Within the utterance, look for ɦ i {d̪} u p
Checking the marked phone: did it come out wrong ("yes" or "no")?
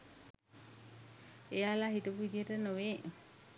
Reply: yes